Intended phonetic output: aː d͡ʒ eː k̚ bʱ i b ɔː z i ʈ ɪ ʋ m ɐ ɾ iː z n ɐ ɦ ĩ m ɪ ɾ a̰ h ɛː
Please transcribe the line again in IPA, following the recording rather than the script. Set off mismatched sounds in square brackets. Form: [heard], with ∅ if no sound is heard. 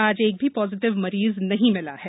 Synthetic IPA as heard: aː d͡ʒ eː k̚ bʱ i [p] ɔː z [ɪ] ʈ ɪ ʋ m ɐ ɾ iː z n ɐ ɦ ĩ m ɪ [l] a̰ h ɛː

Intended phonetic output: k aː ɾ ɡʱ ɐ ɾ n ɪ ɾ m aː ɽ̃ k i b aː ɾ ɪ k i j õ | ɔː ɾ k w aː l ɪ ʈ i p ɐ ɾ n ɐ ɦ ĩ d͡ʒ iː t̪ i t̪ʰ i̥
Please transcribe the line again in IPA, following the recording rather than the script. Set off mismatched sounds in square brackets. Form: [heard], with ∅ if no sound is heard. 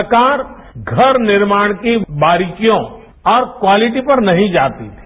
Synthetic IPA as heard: k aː ɾ ɡʱ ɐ ɾ n ɪ ɾ m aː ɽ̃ k i b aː ɾ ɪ k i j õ | ɔː ɾ k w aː l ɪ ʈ i p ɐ ɾ n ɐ ɦ ĩ d͡ʒ [aː] t̪ i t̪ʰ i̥

